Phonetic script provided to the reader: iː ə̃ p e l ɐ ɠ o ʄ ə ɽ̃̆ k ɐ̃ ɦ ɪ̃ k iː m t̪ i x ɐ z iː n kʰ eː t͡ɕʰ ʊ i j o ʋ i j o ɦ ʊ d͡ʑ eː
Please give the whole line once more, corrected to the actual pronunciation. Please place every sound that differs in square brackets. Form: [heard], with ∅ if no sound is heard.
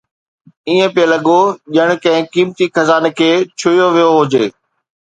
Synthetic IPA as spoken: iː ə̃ p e l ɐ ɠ o ʄ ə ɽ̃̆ k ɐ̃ ɦ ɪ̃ k iː m t̪ i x ɐ z [aː] n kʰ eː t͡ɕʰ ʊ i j o ʋ i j o ɦ ʊ d͡ʑ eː